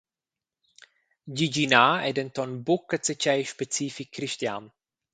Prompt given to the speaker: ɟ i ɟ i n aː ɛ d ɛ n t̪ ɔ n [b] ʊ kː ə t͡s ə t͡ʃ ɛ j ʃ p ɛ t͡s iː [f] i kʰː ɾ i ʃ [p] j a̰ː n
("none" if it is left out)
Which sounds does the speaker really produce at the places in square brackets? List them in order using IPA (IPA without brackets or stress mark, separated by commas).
b, f, t